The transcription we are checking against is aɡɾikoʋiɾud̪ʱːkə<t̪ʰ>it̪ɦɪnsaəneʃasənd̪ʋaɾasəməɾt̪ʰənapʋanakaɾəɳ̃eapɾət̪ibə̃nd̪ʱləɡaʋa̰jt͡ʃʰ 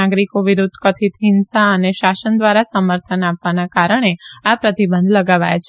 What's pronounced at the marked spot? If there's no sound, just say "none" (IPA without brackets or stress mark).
t̪ʰ